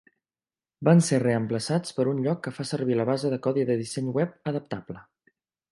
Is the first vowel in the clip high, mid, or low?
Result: low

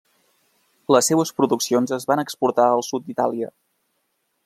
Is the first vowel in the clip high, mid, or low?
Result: mid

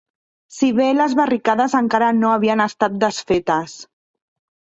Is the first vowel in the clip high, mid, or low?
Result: high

